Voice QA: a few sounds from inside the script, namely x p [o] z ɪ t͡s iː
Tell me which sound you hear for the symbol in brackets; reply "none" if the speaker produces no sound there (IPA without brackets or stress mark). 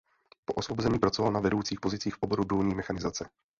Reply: o